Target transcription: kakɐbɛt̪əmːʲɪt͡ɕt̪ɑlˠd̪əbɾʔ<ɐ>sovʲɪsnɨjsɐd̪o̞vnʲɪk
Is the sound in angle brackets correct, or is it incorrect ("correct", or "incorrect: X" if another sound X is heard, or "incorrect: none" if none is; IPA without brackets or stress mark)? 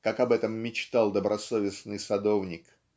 correct